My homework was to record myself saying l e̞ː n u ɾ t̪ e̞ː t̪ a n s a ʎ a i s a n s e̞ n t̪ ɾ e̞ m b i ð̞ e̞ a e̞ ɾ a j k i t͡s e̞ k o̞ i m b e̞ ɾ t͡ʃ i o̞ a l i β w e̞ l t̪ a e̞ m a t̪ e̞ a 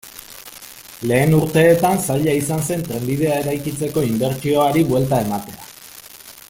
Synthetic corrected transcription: l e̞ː n u ɾ t̪ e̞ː t̪ a n s a ʎ a i s a n s e̞ n t̪ ɾ e̞ m b i ð̞ e̞ a e̞ ɾ a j k i t͡s e̞ k o̞ i m b e̞ ɾ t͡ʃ i o̞ a ɾ i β w e̞ l t̪ a e̞ m a t̪ e̞ a